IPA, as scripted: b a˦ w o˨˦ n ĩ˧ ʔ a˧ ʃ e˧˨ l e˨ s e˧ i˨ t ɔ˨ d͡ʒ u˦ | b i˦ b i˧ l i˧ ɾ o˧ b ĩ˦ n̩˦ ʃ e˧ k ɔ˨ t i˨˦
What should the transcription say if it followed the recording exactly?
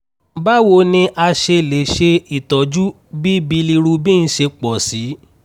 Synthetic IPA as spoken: b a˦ w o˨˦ n ĩ˧ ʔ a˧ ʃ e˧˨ l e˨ ʃ e˧ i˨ t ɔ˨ d͡ʒ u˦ | b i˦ b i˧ l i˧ ɾ u˧ b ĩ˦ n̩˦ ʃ e˧ k͡p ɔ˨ s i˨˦